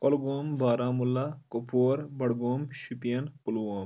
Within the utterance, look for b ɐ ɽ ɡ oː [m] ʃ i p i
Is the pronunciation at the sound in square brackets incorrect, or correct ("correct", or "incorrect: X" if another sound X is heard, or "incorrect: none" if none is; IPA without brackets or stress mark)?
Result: correct